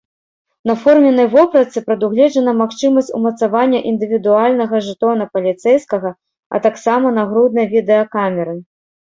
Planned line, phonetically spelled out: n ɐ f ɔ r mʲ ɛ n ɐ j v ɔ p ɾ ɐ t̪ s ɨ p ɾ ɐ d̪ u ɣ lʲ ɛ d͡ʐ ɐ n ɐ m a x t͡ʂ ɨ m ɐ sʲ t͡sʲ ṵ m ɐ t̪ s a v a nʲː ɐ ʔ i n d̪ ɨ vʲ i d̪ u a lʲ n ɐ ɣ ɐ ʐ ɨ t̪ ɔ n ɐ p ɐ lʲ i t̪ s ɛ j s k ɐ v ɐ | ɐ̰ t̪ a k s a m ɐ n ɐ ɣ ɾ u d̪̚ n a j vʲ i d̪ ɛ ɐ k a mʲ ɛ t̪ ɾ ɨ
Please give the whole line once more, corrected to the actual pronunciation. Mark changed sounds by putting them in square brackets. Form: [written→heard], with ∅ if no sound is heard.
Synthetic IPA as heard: n ɐ f ɔ r mʲ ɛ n ɐ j v ɔ p ɾ ɐ t̪ s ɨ p ɾ ɐ d̪ u ɣ lʲ ɛ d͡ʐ ɐ n ɐ m a x t͡ʂ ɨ m ɐ sʲ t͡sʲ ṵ m ɐ t̪ s a v a nʲː ɐ ʔ i n d̪ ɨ vʲ i d̪ u a lʲ n ɐ ɣ ɐ ʐ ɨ t̪ ɔ n ɐ p ɐ lʲ i t̪ s ɛ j s k ɐ [v→ɣ] ɐ | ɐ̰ t̪ a k s a m ɐ n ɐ ɣ ɾ u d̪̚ n [a→ɐ] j vʲ i d̪ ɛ ɐ k a mʲ ɛ [t̪→∅] ɾ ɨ